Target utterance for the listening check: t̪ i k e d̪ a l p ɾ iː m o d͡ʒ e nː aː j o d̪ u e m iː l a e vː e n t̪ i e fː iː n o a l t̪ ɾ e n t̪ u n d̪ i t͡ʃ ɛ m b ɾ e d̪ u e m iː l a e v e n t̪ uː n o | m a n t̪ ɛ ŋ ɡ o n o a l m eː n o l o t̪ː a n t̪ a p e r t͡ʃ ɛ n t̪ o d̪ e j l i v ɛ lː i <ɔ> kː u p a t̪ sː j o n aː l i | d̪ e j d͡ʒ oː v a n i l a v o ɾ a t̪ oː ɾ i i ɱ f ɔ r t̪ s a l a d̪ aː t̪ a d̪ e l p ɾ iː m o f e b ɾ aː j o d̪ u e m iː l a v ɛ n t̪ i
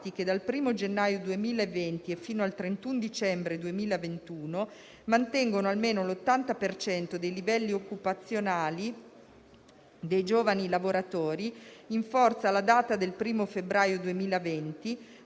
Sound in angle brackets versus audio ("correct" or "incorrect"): incorrect